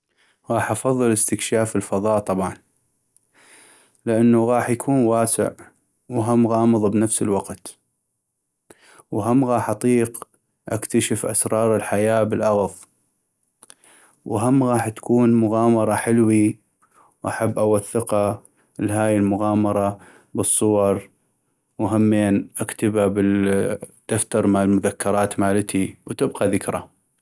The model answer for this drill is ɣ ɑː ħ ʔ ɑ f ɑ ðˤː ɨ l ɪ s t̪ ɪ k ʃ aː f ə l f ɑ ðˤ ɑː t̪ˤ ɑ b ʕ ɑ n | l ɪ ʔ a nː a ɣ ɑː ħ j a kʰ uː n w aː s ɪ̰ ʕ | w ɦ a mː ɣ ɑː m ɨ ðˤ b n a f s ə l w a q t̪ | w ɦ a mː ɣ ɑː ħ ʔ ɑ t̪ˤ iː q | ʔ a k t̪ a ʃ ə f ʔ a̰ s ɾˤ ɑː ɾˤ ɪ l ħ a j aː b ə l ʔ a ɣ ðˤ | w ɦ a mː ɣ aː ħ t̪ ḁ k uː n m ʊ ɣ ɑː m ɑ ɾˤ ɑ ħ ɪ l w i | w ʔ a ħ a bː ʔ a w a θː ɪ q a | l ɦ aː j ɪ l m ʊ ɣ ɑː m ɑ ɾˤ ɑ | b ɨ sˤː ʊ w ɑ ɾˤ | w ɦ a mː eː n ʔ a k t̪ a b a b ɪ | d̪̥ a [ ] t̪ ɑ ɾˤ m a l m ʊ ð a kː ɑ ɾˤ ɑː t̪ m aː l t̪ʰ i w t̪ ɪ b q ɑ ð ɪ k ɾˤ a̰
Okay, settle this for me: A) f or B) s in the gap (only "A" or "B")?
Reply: A